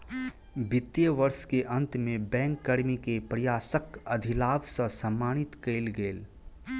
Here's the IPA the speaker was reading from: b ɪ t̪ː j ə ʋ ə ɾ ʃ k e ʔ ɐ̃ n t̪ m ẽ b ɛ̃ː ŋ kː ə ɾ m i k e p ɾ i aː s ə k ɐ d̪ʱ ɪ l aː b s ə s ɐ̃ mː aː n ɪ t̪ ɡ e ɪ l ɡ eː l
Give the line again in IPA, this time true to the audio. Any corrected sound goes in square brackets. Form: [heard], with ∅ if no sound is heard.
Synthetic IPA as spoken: b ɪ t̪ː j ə ʋ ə ɾ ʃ k e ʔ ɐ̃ n t̪ m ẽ b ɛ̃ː ŋ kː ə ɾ m i k e p ɾ [j] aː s ə k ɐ d̪ʱ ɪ l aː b s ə s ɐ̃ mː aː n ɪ t̪ [k] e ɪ l ɡ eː l